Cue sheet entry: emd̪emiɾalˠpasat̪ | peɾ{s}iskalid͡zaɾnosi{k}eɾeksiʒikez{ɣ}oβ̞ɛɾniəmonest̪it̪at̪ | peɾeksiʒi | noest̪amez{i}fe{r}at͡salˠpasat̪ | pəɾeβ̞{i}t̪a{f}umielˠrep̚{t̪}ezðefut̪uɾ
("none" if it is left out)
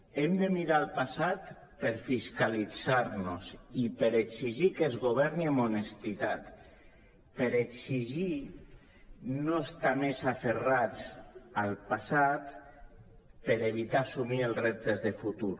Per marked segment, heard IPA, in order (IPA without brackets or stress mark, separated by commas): f, p, ɣ, a, r, i, s, t̪